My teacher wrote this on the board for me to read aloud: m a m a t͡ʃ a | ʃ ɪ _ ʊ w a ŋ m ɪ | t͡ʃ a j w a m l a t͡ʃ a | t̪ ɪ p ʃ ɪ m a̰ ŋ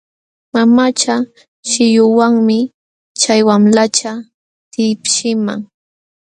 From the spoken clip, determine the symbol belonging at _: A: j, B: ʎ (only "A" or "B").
A